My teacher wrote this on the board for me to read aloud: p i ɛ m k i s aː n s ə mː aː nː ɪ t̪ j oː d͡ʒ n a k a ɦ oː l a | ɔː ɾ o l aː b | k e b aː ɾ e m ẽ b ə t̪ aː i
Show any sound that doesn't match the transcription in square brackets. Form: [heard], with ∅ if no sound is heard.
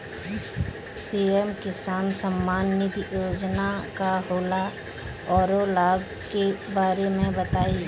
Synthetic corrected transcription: p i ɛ m k [ɪ] s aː n s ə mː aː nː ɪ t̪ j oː d͡ʒ n a k a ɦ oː l a | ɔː ɾ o l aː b | k e b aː ɾ e m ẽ b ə t̪ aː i